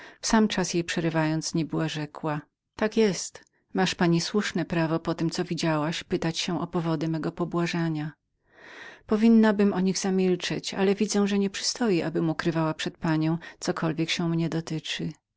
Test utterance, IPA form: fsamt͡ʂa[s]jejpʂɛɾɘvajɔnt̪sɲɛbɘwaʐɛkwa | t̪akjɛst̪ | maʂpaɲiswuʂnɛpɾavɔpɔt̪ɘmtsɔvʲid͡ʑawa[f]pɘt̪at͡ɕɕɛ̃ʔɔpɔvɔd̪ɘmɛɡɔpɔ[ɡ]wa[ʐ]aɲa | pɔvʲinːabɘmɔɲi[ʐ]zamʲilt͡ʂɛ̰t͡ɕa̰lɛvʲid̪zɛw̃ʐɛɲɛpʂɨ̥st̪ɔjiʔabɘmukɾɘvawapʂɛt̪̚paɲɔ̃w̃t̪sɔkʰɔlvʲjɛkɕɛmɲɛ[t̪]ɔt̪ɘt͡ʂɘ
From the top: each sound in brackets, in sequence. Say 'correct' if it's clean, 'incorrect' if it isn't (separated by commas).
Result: correct, incorrect, incorrect, correct, incorrect, incorrect